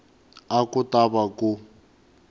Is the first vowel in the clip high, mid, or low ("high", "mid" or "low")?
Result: low